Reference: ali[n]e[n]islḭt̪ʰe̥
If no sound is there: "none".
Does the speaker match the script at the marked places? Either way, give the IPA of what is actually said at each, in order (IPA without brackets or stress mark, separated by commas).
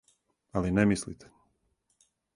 n, m